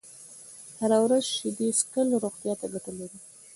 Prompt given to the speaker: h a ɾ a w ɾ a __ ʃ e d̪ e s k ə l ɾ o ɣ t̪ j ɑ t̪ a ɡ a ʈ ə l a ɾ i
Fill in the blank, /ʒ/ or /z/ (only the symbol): z